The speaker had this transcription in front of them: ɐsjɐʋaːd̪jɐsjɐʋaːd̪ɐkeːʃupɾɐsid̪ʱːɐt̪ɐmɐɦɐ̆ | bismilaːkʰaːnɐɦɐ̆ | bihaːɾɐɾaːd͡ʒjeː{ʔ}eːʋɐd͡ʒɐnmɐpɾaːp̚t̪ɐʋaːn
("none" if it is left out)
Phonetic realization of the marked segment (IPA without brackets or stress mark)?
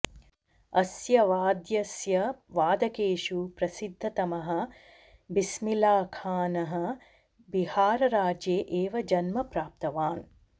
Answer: ʔ